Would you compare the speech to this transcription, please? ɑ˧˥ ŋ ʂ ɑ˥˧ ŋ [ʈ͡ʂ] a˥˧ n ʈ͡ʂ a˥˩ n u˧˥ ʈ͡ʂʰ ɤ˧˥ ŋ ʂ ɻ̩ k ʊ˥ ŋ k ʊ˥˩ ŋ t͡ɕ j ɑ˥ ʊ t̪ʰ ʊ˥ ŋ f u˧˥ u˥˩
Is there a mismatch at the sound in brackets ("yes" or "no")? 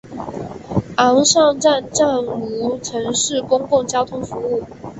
no